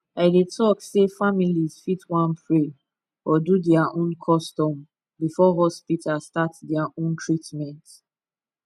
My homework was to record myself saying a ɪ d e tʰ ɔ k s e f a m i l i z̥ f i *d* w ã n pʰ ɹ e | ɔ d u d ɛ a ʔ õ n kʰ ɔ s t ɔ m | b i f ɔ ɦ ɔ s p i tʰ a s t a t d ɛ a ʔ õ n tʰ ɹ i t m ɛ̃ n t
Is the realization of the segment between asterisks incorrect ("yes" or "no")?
yes